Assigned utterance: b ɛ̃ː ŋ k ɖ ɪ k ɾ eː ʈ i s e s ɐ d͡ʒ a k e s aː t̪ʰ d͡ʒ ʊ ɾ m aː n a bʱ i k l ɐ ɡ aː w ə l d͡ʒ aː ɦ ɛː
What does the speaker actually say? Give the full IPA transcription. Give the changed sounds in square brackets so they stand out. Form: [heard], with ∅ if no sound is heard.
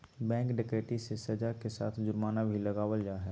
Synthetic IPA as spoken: b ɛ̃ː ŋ k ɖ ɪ k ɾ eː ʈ i s e s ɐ d͡ʒ a k e s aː t̪ʰ d͡ʒ ʊ ɾ m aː n a bʱ i [∅] l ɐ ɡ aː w ə l d͡ʒ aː ɦ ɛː